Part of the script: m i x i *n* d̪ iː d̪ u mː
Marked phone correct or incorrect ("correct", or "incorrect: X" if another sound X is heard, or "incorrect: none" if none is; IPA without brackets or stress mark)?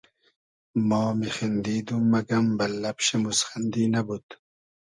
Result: correct